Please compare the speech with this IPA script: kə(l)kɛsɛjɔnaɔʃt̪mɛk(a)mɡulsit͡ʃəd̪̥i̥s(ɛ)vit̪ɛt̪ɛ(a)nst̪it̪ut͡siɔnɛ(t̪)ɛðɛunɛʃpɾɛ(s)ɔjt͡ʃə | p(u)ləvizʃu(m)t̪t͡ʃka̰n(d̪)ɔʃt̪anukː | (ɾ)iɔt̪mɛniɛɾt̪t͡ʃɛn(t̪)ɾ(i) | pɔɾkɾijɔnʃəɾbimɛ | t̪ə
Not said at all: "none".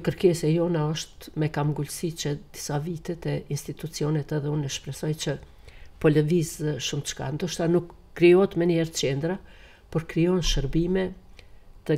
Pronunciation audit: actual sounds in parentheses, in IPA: ɾ, a, a, i, t̪, s, ɔ, m, d̪, ɾ, d̪, a

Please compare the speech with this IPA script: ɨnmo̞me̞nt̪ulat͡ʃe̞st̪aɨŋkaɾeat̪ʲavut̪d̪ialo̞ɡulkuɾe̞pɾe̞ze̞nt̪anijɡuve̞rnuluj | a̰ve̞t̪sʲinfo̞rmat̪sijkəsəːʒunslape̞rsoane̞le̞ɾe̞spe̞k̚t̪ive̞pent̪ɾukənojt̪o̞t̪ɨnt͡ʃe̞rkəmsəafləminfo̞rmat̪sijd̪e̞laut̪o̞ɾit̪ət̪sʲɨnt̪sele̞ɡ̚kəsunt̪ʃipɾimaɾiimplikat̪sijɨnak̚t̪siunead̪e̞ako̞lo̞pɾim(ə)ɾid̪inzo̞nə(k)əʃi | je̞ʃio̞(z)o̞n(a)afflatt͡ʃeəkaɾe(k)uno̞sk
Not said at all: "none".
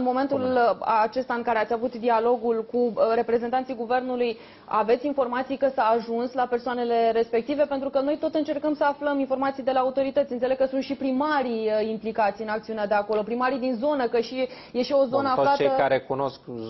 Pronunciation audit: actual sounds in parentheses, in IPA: a, k, z, ə, k

